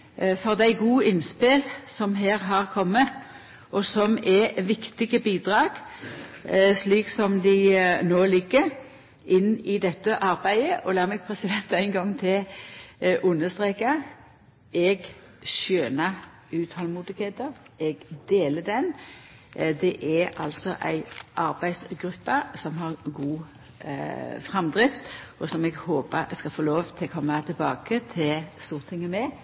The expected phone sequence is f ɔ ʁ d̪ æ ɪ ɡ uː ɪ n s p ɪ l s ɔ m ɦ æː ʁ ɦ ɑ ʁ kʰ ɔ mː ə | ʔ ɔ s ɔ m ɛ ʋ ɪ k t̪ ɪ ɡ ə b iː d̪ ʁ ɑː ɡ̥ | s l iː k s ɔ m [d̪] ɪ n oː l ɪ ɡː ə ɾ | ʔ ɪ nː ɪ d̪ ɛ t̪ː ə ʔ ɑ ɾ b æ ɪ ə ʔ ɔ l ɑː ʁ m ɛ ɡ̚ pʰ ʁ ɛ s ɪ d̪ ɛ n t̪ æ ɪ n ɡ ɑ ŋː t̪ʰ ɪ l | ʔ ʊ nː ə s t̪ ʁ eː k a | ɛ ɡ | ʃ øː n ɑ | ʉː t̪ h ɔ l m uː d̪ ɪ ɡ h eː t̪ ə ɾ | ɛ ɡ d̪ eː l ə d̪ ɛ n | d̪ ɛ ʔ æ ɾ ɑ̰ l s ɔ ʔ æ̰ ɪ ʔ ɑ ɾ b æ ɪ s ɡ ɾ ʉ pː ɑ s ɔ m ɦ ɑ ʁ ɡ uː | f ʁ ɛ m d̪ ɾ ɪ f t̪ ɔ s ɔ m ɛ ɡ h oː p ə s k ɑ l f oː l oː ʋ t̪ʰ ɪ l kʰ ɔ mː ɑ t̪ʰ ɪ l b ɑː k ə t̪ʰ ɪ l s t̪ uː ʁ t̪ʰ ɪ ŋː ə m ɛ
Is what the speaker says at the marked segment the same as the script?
yes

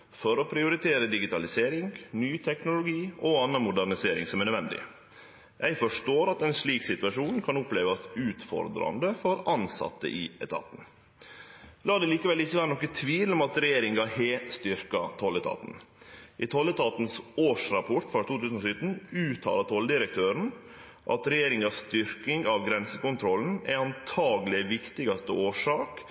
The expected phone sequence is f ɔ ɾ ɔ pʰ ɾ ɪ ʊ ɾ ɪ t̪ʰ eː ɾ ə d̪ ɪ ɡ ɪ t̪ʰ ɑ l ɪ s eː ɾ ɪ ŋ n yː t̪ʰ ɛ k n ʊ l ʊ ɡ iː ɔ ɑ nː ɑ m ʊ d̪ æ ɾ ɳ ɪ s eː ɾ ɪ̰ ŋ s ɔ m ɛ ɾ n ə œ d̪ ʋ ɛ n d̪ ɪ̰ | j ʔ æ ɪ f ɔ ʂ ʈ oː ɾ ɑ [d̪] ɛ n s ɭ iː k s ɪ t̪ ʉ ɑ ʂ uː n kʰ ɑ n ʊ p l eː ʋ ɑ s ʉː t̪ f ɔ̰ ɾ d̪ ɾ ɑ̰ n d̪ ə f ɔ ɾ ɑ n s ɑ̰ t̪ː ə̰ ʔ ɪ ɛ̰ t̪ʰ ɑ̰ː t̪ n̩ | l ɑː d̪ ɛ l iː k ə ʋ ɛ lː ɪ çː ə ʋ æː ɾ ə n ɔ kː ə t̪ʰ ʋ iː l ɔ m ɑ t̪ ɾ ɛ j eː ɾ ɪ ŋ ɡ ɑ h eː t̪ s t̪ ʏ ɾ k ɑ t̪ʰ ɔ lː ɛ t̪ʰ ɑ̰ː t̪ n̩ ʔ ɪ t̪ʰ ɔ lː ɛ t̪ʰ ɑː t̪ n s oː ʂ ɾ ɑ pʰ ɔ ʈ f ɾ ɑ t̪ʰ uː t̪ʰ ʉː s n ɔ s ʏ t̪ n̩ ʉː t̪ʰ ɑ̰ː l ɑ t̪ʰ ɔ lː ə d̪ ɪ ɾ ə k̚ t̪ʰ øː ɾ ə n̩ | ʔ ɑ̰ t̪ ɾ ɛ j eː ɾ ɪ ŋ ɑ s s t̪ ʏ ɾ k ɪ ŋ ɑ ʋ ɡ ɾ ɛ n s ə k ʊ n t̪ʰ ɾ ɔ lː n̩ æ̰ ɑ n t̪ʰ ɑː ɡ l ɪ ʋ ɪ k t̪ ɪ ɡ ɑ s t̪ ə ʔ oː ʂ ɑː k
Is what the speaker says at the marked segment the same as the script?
no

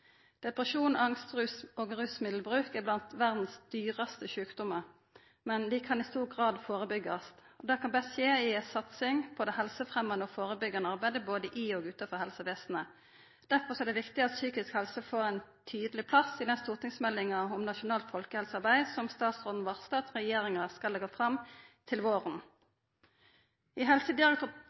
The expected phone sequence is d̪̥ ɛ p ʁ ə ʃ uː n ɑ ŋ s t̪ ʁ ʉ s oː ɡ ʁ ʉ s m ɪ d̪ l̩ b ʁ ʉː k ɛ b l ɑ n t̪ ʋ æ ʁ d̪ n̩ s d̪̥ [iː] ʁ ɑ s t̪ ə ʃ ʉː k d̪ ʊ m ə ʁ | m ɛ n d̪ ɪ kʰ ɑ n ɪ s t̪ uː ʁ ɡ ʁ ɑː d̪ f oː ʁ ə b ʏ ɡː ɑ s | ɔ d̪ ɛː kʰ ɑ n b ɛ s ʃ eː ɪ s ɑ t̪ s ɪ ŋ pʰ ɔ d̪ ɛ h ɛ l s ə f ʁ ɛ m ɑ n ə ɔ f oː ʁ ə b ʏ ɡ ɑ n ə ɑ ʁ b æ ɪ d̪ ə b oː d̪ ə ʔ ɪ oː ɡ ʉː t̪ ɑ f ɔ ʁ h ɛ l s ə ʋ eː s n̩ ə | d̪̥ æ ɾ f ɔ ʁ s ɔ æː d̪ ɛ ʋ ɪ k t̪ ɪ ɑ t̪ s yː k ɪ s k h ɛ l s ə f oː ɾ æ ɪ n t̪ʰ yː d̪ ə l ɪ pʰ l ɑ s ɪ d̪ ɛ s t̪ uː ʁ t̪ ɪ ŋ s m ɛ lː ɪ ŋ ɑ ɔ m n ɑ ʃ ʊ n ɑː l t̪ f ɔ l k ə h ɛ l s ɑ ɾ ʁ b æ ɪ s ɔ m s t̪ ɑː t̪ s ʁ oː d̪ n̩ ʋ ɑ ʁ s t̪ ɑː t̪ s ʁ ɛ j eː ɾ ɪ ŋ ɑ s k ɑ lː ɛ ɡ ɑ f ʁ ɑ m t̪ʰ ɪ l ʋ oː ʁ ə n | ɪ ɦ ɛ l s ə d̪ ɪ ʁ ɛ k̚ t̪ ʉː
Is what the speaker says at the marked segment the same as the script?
no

